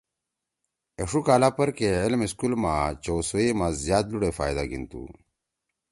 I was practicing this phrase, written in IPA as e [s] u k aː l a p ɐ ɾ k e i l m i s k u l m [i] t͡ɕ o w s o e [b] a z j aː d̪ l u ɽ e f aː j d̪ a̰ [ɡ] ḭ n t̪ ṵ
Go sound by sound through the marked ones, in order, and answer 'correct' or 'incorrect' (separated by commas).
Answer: incorrect, incorrect, incorrect, correct